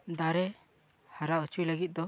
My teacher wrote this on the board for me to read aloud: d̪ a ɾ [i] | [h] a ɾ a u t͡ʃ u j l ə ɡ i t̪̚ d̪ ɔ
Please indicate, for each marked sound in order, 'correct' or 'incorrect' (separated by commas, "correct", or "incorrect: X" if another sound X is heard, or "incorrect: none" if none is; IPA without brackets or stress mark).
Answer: incorrect: ɛ, correct